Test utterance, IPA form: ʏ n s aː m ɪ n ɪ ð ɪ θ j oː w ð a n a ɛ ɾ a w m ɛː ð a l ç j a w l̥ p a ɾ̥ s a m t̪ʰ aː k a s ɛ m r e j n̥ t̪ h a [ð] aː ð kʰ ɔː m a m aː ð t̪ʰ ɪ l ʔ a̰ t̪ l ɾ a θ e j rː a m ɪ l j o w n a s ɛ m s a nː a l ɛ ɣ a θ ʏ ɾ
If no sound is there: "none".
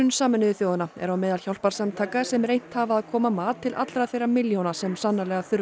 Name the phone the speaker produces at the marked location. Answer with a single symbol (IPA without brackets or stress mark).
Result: v